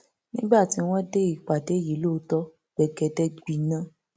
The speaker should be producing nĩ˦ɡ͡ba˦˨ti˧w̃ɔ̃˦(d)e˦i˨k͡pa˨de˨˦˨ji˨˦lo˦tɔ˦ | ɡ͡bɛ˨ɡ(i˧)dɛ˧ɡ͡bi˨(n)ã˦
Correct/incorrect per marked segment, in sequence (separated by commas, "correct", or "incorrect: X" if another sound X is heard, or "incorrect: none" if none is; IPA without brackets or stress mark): correct, incorrect: ɛ˧, correct